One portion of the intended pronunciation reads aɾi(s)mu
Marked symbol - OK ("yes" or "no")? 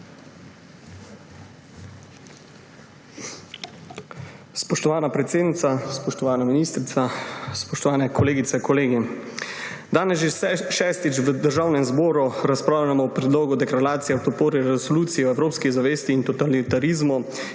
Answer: no